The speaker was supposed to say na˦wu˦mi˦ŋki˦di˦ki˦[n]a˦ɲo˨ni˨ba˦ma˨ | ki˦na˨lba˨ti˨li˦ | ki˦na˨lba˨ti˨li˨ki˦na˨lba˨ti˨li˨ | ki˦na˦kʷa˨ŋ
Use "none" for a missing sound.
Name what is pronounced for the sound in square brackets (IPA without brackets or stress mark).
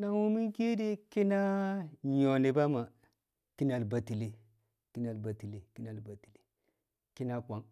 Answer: n